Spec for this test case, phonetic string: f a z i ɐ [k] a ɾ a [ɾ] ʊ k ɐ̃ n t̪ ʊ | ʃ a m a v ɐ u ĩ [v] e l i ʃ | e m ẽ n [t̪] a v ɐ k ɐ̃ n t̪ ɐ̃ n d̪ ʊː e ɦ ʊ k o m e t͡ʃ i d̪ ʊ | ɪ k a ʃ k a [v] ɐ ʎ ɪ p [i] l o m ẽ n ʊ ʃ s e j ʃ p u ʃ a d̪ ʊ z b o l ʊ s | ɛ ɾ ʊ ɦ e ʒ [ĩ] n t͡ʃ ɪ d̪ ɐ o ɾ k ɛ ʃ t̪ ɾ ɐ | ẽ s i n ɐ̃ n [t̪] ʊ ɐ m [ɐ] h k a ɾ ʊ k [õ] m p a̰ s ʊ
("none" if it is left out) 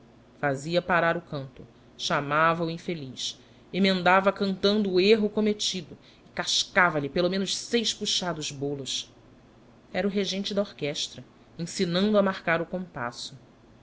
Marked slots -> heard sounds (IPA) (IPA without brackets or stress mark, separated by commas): p, ɾ, f, d̪, v, e, ẽ, d̪, a, õ